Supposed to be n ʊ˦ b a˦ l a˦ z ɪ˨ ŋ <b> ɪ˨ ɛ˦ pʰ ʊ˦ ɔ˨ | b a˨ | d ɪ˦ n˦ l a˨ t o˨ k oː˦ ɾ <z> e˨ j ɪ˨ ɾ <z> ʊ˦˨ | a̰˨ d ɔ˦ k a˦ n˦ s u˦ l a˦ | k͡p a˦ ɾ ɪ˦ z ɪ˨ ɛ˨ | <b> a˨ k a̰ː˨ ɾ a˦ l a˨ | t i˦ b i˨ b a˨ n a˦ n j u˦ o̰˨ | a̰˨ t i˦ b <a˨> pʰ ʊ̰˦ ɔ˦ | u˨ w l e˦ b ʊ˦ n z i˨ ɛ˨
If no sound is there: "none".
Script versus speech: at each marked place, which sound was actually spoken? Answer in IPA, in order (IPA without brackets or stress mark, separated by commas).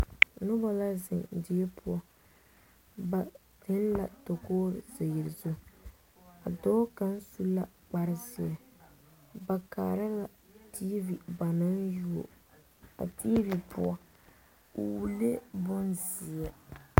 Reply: d, z, z, b, i˨